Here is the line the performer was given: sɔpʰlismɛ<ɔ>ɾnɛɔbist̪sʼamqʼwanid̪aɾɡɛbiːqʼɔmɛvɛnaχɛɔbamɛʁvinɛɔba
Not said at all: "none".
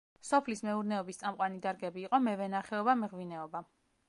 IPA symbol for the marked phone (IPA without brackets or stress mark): u